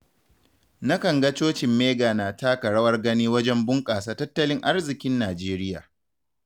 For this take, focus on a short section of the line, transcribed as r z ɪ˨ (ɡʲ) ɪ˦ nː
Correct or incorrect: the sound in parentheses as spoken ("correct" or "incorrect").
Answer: incorrect